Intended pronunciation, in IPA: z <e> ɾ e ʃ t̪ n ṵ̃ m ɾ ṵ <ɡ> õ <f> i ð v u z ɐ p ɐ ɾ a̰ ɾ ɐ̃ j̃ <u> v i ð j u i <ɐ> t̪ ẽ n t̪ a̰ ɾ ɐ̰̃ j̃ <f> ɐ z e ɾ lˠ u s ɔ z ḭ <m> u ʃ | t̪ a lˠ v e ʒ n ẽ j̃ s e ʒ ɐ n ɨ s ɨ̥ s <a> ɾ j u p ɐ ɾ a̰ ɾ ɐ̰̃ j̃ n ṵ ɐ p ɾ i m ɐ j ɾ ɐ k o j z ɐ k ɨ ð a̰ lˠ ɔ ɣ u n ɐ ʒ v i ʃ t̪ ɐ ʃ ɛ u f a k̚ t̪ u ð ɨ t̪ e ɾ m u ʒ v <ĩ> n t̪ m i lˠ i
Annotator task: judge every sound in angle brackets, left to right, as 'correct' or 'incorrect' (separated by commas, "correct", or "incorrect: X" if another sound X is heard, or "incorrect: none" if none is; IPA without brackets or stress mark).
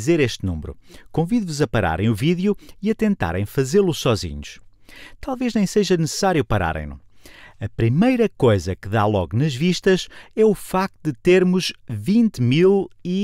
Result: correct, incorrect: k, incorrect: v, correct, correct, correct, incorrect: ɲ, correct, correct